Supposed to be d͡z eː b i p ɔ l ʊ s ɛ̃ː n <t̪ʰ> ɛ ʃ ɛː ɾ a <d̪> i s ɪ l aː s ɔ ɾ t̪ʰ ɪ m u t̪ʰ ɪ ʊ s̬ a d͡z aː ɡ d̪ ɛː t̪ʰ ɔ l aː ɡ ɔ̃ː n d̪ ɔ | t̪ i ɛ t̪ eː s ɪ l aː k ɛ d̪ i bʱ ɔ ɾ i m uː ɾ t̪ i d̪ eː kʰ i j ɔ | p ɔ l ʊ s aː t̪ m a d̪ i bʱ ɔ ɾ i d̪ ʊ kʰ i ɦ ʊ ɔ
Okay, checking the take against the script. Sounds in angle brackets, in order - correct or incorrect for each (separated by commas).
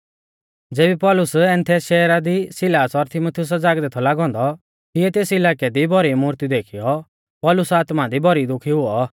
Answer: correct, correct